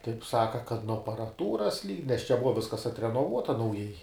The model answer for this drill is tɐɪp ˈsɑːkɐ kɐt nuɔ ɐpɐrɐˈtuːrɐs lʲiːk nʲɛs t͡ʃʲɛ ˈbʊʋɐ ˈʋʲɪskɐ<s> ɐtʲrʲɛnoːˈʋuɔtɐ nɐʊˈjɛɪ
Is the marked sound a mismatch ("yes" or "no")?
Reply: no